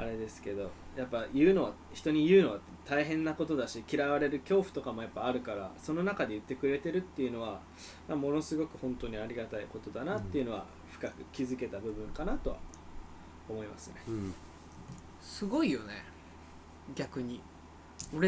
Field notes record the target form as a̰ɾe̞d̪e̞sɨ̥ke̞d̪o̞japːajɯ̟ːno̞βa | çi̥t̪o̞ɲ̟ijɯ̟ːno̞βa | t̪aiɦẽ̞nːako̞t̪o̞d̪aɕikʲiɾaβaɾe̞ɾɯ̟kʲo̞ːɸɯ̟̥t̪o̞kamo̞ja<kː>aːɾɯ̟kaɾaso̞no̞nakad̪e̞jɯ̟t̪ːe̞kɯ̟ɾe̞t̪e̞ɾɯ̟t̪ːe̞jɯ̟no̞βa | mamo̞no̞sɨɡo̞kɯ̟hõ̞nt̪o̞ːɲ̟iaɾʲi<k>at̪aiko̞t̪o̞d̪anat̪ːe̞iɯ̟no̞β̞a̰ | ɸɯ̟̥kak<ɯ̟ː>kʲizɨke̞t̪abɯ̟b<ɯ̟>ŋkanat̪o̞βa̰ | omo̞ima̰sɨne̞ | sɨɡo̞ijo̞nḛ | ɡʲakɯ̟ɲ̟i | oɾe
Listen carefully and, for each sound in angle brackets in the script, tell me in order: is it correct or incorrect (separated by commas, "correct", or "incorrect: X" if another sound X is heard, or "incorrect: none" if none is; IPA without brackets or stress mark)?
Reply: incorrect: pː, incorrect: ɡ, incorrect: ɯ̟, incorrect: ɯ̟̃